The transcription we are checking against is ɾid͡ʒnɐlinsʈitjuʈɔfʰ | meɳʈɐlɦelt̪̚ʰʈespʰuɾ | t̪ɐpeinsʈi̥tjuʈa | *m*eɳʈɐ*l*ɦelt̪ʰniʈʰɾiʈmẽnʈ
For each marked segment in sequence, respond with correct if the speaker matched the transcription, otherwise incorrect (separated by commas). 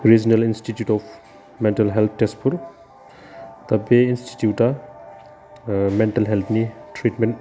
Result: correct, correct